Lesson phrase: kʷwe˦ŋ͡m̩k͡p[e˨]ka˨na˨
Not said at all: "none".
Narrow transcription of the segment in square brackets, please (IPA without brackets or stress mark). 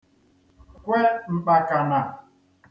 a˨